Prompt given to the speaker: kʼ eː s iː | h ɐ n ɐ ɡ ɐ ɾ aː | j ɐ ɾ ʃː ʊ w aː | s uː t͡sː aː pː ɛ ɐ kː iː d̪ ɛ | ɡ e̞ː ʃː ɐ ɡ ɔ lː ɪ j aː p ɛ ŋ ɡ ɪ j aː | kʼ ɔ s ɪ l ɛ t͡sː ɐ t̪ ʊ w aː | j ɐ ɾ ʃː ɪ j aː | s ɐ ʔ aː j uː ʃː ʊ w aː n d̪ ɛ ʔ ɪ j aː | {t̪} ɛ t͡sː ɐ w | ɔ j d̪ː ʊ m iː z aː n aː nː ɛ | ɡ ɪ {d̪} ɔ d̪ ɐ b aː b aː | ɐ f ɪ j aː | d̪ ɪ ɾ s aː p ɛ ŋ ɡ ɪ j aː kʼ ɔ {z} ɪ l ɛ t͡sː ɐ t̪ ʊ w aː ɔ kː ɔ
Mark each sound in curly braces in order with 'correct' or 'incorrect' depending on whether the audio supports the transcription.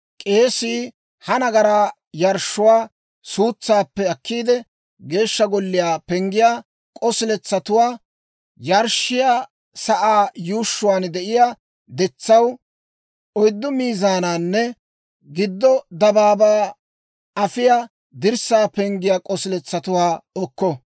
incorrect: d̪, incorrect: d̪ː, incorrect: s

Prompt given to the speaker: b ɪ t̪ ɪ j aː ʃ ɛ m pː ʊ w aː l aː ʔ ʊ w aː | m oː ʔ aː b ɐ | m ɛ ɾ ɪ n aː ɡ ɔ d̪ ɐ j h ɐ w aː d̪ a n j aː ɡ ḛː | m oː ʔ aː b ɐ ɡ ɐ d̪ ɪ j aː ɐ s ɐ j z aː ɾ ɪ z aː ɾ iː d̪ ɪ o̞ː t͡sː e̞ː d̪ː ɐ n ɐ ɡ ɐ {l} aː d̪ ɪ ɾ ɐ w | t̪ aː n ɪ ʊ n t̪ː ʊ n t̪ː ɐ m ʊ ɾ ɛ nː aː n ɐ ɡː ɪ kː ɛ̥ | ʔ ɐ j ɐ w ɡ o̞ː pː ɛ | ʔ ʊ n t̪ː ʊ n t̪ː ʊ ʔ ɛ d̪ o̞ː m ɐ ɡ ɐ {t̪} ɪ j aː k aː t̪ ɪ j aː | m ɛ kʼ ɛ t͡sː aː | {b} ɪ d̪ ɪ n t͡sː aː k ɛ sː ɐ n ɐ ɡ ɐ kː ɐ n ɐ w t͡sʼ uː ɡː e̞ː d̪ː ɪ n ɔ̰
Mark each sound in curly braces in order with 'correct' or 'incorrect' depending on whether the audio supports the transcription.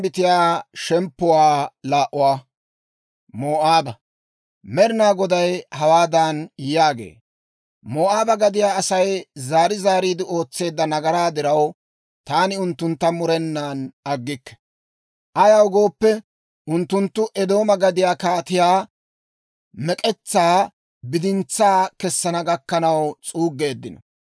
incorrect: ɾ, incorrect: d̪, correct

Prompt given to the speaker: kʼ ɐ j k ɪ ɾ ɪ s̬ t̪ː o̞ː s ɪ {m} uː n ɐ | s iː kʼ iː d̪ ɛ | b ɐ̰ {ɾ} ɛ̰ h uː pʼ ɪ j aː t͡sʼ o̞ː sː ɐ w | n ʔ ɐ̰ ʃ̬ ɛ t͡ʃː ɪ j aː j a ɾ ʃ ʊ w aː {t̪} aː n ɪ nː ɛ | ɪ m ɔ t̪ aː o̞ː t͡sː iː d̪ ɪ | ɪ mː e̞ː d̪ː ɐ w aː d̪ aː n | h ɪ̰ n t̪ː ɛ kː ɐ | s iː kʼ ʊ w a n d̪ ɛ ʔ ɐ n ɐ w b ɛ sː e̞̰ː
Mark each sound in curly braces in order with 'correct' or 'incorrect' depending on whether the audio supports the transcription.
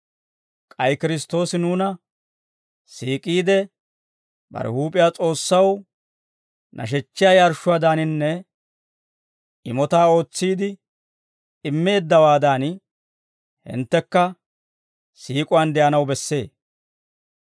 incorrect: n, correct, incorrect: d̪

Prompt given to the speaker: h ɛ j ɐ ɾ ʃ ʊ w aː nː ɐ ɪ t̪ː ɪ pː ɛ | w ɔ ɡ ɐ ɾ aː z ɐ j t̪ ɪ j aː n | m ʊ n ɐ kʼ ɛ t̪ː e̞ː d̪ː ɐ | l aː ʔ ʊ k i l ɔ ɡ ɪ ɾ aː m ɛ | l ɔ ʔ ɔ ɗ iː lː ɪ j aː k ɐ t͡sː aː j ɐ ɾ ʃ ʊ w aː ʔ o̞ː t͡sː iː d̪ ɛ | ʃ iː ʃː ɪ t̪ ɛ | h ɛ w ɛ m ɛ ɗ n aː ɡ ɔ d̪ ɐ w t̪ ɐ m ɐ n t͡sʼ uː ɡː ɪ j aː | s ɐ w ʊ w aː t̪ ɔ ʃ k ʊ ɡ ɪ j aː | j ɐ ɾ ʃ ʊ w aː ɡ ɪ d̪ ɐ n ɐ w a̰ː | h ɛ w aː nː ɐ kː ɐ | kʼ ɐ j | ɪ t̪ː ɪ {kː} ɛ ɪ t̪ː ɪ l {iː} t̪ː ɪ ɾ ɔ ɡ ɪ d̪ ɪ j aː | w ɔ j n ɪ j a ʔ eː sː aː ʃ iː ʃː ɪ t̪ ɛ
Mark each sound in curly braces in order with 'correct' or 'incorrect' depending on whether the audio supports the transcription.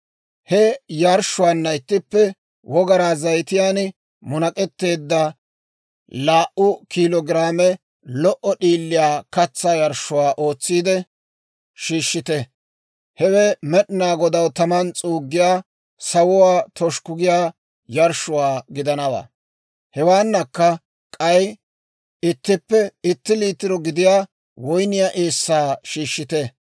incorrect: pː, correct

